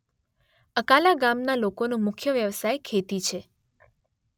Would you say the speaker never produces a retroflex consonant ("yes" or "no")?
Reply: yes